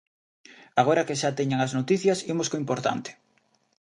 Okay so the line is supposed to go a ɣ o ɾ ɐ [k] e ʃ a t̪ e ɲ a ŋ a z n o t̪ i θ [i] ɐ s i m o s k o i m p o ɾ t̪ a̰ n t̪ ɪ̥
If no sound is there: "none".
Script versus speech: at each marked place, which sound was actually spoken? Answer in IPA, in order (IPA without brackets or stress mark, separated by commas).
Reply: k, j